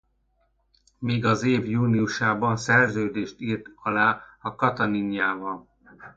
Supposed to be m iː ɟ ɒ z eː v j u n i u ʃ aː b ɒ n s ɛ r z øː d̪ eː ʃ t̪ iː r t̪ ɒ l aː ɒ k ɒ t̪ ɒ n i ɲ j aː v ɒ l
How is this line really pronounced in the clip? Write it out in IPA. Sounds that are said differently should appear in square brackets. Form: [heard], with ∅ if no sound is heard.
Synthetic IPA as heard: m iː [ɡ] ɒ z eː v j [uː] n i u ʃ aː b ɒ n s ɛ r z øː d̪ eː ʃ t̪ iː r t̪ ɒ l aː ɒ k ɒ t̪ ɒ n i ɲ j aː v ɒ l